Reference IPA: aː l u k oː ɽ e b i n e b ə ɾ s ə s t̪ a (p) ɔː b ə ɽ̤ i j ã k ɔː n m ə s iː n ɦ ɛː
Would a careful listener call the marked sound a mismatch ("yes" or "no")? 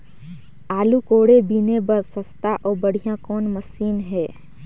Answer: yes